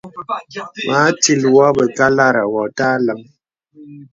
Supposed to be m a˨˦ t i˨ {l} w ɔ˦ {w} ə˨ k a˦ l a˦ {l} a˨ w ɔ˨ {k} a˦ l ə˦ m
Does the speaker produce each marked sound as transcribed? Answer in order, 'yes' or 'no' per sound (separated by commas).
yes, no, no, no